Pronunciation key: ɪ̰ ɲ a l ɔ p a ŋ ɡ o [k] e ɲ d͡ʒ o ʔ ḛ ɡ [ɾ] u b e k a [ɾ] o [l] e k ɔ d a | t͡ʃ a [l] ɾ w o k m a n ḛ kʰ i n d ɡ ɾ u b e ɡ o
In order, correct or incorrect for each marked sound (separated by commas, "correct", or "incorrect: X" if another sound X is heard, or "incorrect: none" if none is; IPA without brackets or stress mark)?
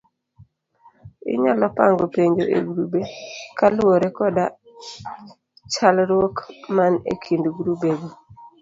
incorrect: p, correct, incorrect: l, incorrect: ɾ, correct